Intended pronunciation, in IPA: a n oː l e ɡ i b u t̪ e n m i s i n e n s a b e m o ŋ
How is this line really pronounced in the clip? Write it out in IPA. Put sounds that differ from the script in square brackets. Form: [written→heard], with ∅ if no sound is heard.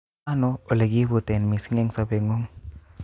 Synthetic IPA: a n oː l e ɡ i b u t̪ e n m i s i [n→ŋ] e [n→ŋ] s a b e [m→ŋ] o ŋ